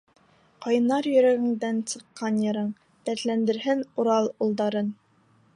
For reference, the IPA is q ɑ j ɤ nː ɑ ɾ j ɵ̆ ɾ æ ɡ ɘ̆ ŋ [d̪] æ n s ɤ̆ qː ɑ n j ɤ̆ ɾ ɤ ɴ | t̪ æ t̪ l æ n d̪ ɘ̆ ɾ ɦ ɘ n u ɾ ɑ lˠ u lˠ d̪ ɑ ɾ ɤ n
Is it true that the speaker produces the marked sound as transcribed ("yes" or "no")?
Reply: yes